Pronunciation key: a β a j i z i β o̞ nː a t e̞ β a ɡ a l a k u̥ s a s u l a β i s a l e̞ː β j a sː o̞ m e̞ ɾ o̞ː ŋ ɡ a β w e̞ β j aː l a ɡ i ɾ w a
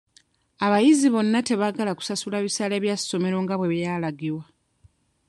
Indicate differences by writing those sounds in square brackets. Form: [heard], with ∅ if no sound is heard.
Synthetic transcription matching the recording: a β a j i z i β o̞ nː a t e̞ β a ɡ a l a k u̥ s a s u l a β i s a l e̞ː β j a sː o̞ m e̞ ɾ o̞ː ŋ ɡ a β w e̞ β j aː l a ɡ i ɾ w a